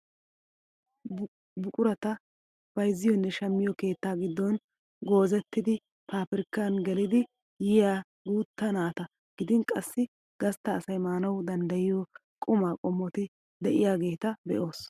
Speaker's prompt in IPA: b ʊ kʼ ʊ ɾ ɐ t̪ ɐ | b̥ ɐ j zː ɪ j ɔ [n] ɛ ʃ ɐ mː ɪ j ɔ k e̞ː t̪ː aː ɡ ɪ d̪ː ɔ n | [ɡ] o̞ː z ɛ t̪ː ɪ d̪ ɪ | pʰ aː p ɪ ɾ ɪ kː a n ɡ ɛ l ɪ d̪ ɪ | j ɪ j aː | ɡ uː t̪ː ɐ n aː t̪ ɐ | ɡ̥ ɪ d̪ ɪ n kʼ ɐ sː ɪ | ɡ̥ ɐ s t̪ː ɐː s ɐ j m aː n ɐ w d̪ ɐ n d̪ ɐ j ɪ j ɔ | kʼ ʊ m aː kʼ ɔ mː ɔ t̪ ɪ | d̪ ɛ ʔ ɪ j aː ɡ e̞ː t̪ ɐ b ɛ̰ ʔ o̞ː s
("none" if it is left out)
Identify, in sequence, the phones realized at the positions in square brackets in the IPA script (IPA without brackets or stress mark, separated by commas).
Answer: nː, ɡ